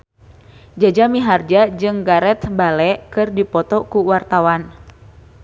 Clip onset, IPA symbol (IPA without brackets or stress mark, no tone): d͡ʒ